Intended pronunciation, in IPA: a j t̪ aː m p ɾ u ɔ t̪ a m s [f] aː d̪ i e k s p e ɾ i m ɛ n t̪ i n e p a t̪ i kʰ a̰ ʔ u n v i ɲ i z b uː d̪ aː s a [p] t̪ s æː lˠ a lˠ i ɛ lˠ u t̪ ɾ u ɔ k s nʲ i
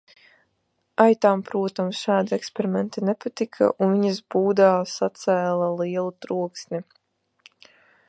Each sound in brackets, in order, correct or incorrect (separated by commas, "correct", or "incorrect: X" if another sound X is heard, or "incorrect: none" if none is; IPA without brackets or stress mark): incorrect: ʃ, incorrect: none